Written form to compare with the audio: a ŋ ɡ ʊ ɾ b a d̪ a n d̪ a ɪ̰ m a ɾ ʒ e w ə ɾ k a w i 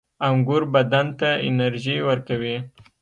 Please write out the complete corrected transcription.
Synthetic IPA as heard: a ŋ ɡ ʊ ɾ b a d̪ a n t̪ a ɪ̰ n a ɾ ʒ i w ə ɾ k a w i